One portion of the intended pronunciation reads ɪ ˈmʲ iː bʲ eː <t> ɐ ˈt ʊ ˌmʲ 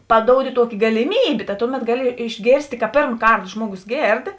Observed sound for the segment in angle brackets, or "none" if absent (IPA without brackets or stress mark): t